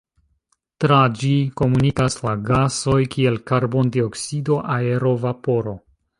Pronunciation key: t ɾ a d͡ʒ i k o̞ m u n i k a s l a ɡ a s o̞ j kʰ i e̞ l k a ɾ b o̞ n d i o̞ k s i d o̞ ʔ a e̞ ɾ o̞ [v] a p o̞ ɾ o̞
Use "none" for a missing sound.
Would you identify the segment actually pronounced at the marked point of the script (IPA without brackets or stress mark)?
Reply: v